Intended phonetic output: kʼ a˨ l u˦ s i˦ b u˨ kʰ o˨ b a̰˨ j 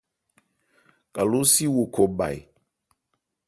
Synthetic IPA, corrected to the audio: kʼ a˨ l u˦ s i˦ w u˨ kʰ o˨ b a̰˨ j